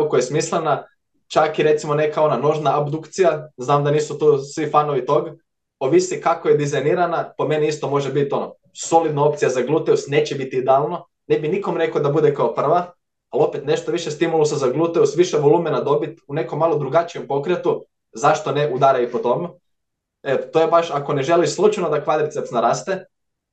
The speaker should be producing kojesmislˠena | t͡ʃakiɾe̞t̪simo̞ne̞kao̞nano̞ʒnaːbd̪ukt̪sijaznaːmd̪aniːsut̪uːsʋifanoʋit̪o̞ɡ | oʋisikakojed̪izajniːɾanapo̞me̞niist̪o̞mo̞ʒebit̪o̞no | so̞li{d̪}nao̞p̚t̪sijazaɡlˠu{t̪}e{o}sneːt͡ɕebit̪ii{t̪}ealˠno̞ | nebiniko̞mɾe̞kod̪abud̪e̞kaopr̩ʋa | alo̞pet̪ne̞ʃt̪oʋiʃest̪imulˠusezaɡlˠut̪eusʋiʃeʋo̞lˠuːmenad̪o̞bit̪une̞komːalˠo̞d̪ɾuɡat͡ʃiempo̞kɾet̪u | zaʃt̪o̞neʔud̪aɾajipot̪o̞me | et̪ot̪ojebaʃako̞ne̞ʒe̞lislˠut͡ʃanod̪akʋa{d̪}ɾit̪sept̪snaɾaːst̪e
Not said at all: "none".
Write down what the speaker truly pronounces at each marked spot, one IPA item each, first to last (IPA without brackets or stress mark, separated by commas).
d̪, t̪, u, d̪, d̪